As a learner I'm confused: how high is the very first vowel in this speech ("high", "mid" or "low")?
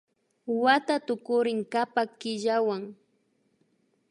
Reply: low